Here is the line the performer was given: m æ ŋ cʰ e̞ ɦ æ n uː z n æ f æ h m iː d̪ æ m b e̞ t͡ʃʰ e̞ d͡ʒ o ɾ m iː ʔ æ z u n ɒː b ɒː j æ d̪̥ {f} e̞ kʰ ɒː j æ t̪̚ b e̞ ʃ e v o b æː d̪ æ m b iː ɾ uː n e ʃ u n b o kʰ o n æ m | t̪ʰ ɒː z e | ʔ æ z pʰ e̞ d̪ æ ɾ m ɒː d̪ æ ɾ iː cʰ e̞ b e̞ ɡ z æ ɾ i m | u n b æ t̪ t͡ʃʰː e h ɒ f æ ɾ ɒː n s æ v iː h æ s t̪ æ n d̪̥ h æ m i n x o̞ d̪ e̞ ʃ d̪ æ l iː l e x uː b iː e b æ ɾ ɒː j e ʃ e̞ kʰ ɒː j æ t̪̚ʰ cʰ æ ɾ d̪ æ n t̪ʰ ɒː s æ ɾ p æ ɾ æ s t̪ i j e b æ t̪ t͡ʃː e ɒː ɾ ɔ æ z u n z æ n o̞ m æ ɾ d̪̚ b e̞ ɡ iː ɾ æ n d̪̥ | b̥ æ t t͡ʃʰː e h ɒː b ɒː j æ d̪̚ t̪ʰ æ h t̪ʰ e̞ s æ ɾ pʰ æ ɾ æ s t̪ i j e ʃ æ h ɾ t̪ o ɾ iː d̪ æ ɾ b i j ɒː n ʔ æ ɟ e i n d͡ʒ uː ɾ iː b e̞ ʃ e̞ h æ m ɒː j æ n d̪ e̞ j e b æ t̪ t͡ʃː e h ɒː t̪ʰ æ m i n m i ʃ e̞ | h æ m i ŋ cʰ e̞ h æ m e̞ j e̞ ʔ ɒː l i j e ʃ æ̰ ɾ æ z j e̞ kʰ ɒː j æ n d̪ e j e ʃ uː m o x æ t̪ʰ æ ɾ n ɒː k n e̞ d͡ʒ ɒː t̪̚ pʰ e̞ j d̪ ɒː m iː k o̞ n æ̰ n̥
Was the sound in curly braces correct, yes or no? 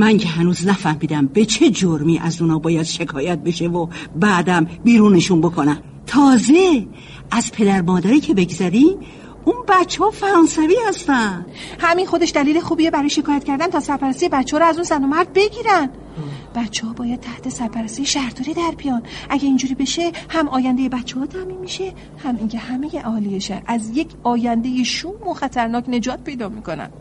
no